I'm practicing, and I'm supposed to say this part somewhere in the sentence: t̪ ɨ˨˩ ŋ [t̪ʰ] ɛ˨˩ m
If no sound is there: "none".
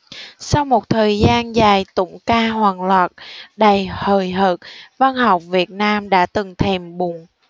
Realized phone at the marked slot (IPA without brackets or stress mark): t̪ʰ